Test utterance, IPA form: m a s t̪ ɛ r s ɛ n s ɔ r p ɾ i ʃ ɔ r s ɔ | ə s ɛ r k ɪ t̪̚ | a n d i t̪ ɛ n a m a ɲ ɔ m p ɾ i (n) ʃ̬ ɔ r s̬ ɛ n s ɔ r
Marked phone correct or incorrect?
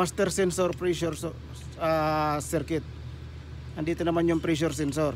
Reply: incorrect